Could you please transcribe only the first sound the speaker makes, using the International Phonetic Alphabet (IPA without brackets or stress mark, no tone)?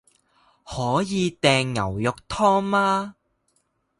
h